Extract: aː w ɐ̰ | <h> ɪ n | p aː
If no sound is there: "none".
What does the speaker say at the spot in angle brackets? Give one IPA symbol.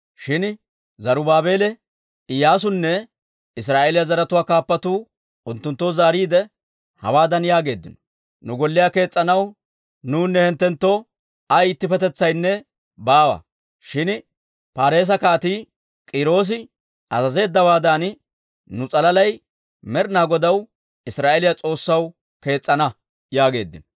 ʃ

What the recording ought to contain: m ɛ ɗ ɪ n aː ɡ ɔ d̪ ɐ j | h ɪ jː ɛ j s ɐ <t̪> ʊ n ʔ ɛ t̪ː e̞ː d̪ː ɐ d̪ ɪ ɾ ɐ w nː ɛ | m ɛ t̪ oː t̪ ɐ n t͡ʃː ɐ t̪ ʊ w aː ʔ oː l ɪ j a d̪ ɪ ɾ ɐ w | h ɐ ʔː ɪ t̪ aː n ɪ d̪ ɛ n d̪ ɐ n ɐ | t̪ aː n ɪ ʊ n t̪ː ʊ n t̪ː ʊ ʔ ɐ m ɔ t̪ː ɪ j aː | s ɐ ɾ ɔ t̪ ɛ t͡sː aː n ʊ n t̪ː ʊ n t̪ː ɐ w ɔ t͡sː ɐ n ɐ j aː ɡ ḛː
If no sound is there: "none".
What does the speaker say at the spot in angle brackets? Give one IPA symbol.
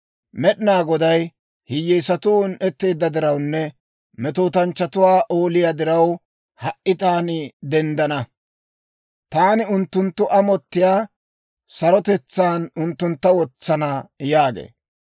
t̪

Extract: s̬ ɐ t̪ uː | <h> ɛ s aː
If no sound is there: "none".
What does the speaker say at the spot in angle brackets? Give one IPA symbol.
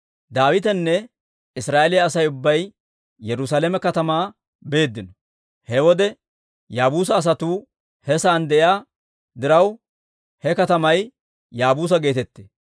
h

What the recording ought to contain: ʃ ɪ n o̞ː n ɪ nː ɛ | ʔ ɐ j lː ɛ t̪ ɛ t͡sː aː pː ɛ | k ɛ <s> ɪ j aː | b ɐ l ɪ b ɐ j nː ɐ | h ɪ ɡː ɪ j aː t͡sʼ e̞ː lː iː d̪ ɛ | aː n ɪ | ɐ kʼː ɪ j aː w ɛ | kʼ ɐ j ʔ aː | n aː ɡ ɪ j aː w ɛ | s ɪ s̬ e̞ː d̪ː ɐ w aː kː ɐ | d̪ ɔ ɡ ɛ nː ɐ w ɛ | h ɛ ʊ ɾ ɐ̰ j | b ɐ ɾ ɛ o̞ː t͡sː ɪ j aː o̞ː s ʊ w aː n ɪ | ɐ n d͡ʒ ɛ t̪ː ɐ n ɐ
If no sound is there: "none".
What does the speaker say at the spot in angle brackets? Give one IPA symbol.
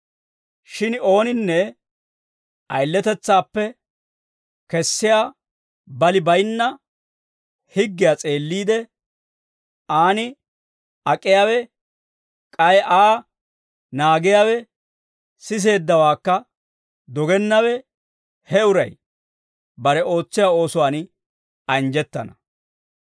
sː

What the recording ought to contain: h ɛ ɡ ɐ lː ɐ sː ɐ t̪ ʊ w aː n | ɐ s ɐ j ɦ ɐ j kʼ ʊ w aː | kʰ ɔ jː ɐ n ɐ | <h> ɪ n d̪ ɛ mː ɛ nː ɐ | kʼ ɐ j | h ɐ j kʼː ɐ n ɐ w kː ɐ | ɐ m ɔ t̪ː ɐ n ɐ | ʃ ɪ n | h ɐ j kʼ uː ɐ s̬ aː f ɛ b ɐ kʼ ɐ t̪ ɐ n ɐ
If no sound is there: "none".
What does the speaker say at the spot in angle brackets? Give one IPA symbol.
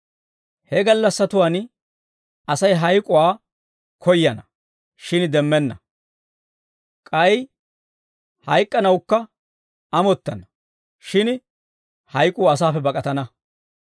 ʃ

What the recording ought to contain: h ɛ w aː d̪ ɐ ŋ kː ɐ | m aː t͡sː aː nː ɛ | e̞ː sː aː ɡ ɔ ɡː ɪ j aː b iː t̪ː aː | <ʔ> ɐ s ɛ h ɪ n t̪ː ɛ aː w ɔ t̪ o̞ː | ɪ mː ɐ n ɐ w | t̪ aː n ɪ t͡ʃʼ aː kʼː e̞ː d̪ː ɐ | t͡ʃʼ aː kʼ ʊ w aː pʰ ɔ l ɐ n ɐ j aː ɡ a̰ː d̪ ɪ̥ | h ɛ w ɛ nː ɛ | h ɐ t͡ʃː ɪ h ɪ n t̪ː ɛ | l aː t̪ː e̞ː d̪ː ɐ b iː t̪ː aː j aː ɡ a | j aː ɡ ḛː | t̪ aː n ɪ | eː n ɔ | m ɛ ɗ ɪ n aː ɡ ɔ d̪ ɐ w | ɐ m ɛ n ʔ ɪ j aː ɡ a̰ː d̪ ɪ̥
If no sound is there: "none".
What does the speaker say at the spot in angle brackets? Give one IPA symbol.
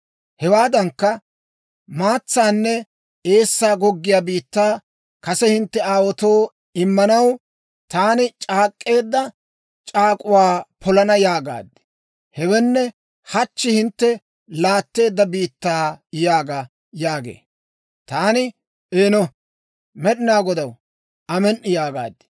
k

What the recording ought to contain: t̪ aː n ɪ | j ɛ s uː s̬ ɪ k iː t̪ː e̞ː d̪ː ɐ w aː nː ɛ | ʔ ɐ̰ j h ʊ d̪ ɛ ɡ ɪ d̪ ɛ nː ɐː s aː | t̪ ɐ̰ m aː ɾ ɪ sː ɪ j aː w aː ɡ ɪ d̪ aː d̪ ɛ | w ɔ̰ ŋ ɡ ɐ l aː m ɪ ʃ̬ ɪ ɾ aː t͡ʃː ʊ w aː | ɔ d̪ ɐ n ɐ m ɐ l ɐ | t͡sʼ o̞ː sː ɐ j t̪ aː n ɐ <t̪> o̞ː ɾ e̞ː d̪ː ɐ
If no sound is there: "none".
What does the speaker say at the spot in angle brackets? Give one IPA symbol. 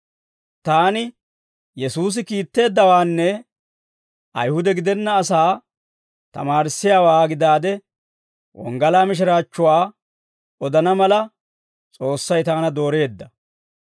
d̪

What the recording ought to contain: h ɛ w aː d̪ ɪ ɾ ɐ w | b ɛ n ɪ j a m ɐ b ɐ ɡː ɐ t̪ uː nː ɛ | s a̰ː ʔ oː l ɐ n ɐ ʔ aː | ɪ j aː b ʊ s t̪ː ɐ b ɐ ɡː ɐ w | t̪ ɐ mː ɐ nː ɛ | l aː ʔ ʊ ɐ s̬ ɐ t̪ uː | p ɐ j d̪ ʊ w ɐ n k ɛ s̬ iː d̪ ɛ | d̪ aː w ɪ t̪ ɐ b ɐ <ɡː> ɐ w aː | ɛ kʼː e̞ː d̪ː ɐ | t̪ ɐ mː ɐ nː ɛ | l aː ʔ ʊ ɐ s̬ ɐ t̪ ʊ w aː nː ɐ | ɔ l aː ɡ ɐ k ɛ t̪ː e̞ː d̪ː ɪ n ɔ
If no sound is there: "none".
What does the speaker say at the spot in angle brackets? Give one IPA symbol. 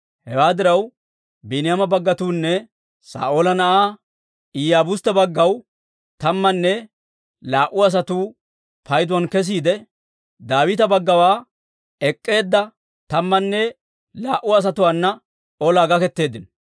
ɡː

